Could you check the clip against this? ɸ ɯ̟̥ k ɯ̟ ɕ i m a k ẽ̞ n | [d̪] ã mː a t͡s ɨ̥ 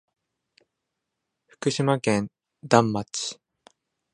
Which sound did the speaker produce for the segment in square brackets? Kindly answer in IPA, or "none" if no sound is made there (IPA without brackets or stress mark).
d̪